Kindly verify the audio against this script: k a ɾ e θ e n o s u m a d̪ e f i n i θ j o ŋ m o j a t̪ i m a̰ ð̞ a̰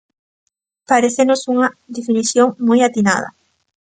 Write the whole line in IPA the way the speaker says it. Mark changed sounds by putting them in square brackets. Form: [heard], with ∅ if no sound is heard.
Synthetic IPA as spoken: [p] a ɾ e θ e n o s u [ŋ] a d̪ e f i n i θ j o ŋ m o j a t̪ i [n] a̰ ð̞ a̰